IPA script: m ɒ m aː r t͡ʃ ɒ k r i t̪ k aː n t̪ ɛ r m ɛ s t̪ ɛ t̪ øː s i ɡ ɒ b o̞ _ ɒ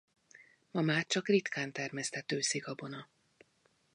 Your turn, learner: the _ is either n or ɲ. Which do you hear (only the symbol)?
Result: n